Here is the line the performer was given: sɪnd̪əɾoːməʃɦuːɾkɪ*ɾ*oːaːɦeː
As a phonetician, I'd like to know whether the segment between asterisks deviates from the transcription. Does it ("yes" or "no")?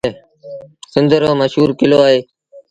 yes